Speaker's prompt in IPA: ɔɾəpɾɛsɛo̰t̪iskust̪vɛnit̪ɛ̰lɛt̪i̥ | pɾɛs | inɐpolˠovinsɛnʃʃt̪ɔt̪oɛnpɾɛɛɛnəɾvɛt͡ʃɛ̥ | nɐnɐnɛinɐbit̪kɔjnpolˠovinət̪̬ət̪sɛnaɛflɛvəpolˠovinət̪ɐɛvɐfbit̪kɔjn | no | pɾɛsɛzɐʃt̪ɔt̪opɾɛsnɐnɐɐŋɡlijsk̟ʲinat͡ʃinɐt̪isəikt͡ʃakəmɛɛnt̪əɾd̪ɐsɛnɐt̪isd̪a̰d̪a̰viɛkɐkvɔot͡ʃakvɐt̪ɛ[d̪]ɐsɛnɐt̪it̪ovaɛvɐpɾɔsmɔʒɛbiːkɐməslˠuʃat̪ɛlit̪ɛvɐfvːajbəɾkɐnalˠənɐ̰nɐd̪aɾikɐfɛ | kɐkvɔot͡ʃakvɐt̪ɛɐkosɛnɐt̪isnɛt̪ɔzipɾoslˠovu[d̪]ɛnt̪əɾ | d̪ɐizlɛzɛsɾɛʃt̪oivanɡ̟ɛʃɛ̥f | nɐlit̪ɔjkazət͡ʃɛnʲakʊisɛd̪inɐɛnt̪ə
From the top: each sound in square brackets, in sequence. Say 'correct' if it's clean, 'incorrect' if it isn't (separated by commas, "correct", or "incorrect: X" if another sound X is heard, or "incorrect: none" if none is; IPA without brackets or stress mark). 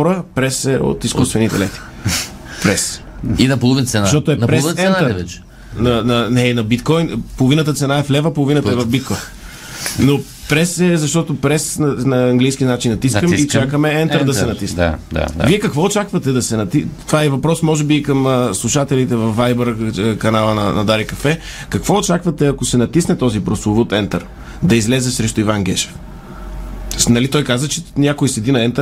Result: correct, incorrect: t̪